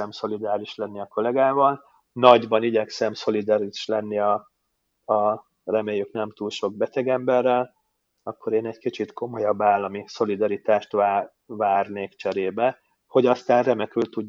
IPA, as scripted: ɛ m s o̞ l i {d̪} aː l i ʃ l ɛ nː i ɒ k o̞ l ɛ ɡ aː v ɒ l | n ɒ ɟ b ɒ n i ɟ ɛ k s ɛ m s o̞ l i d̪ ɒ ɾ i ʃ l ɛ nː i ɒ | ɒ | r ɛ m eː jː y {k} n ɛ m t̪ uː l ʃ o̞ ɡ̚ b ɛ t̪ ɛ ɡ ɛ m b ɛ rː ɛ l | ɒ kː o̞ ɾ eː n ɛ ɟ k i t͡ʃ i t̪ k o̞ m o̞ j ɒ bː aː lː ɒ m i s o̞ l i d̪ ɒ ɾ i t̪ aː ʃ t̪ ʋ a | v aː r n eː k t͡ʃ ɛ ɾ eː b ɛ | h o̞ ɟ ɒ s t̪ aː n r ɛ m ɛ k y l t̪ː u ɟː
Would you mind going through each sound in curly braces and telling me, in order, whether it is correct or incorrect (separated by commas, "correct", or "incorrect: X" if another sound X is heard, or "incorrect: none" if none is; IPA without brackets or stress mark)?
correct, correct